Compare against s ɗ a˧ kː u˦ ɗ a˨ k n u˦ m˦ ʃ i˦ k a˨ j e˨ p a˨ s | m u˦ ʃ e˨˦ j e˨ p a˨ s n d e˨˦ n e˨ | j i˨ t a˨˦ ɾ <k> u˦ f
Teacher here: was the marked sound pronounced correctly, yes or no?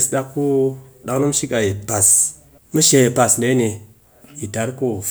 yes